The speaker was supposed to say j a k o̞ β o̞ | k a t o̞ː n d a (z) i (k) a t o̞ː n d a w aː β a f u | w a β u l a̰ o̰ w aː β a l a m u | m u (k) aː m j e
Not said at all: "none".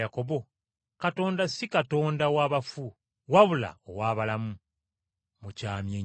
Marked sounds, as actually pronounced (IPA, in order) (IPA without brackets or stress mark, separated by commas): s, k, c